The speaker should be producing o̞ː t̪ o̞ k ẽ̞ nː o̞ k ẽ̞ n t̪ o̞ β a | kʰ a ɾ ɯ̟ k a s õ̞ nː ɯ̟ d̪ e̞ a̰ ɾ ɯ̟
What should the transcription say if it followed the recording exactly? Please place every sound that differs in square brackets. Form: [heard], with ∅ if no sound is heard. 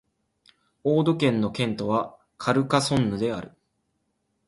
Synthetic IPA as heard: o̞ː [d̪] o̞ k ẽ̞ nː o̞ k ẽ̞ n t̪ o̞ β a | kʰ a ɾ ɯ̟ k a s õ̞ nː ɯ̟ d̪ e̞ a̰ ɾ ɯ̟

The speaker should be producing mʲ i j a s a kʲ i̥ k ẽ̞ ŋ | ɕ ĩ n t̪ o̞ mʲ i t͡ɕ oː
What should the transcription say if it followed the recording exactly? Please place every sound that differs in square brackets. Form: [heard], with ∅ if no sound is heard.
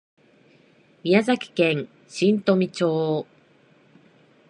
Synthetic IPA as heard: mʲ i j a [z] a kʲ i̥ k ẽ̞ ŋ | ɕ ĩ n t̪ o̞ mʲ i t͡ɕ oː

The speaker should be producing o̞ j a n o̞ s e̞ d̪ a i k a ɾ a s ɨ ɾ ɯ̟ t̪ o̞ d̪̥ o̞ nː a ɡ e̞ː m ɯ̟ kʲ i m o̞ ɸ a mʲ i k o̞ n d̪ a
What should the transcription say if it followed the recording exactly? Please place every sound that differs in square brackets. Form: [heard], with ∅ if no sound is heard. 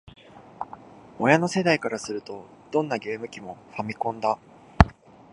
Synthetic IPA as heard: o̞ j a n o̞ s e̞ d̪ a i k a ɾ a s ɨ ɾ ɯ̟ t̪ o̞ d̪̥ [õ̞] nː a ɡ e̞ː m ɯ̟ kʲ i m o̞ ɸ a mʲ i k [õ̞] n d̪ a

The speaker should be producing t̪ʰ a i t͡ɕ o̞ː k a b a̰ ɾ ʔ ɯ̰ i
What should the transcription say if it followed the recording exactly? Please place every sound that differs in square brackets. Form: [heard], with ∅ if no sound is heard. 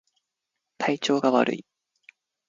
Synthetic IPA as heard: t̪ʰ a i t͡ɕ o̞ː [ɡ] a [β] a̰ ɾ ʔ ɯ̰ i

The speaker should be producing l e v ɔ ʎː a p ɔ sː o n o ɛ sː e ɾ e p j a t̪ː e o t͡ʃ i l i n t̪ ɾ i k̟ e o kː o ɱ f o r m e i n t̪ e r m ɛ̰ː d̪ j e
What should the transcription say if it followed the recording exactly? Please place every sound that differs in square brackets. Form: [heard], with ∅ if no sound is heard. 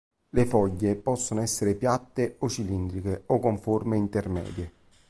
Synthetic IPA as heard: l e [f] ɔ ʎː [e] p ɔ sː o n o ɛ sː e ɾ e p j a t̪ː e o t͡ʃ i l i n [d̪] ɾ i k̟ e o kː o ɱ f o r m e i n t̪ e r m ɛ̰ː d̪ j e

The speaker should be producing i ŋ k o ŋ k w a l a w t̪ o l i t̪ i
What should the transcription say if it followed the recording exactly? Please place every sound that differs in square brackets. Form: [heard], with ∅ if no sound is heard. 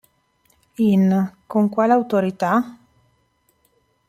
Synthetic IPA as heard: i [n] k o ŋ k w a l a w t̪ o [ɾ] i t̪ [a]

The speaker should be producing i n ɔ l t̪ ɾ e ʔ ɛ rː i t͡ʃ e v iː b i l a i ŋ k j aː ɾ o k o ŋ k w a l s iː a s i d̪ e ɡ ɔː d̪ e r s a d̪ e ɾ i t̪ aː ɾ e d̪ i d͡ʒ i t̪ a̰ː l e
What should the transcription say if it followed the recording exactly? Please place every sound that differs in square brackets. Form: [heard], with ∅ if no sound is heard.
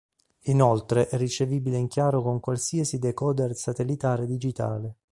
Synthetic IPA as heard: i n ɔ l t̪ ɾ e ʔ ɛ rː i t͡ʃ e v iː b i l [e] i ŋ k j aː ɾ o k o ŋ k w a l s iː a s i d̪ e [k] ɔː d̪ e r s a [t̪] e [l] i t̪ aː ɾ e d̪ i d͡ʒ i t̪ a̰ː l e

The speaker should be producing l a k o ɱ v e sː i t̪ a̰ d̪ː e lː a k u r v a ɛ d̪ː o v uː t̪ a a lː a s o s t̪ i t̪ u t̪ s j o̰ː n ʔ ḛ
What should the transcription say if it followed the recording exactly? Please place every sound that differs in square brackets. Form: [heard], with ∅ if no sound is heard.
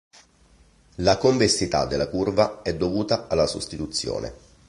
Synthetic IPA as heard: l a k o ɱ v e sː i t̪ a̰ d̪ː e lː a k u r v a ɛ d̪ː o v uː t̪ a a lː a s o s t̪ i t̪ u t̪ [sː] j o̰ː n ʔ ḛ

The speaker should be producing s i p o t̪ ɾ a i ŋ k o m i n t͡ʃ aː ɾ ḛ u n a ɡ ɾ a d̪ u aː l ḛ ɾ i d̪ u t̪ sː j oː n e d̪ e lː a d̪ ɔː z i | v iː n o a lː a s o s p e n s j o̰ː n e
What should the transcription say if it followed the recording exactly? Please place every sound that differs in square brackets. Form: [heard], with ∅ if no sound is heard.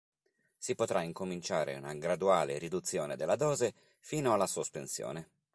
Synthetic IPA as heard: s i p o t̪ ɾ a i ŋ k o m i n t͡ʃ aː ɾ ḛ u n a ɡ ɾ a d̪ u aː l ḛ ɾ i d̪ u t̪ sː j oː n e d̪ e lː a d̪ ɔː z [e] | [f] iː n o a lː a s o s p e n s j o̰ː n e

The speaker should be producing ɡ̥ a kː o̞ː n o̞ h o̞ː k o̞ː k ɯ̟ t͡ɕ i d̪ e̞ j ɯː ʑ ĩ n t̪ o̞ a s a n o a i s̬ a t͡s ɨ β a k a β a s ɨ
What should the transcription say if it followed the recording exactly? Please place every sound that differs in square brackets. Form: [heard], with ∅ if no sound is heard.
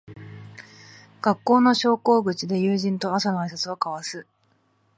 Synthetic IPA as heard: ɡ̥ a kː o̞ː n o̞ [ɕ] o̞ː k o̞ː [ɡ] ɯ̟ t͡ɕ i d̪ e̞ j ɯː ʑ ĩ n t̪ o̞ a s a n o a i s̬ a t͡s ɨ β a k a β a s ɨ

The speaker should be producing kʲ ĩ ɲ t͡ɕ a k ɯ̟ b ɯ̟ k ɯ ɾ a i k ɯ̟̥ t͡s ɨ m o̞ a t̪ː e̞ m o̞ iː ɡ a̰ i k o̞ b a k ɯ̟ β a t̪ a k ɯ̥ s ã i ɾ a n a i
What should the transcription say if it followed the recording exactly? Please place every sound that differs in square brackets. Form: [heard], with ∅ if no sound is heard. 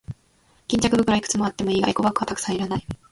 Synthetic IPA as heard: kʲ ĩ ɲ t͡ɕ a k ɯ̟ b ɯ̟ k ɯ ɾ a i k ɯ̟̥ t͡s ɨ m o̞ a t̪ː e̞ m o̞ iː ɡ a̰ i k o̞ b a k ɯ̟ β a t̪ a k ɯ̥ s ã i ɾ a n a i

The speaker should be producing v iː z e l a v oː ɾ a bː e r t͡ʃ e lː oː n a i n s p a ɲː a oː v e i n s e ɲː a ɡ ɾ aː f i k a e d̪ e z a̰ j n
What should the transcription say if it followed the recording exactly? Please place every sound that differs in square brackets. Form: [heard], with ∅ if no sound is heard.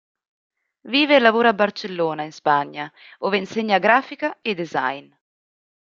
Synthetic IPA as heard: v iː [v] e l a v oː ɾ a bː [a] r t͡ʃ e lː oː n a i n s p a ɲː a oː v e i n s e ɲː a ɡ ɾ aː f i k a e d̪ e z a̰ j n

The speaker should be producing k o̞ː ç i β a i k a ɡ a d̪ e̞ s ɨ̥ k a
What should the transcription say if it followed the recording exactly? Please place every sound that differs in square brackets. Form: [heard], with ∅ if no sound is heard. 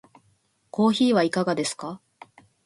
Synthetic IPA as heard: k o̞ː ç [iː] β a i k a ɡ a d̪ e̞ s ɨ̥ k a

